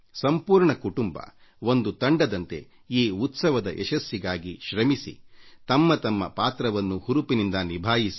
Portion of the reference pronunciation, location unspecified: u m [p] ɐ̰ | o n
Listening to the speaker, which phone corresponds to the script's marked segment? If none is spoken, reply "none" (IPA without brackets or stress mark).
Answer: b